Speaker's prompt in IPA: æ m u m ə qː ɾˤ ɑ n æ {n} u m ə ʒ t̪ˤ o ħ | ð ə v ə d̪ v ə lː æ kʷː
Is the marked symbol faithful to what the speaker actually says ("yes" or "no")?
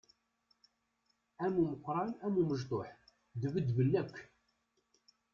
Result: no